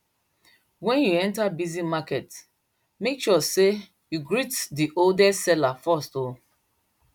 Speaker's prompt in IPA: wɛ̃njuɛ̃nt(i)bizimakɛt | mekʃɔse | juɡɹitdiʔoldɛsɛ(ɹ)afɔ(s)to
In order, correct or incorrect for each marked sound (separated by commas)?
incorrect, incorrect, correct